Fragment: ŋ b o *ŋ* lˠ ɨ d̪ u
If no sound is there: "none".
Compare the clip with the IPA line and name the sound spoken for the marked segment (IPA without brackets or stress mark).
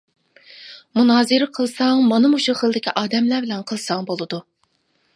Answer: none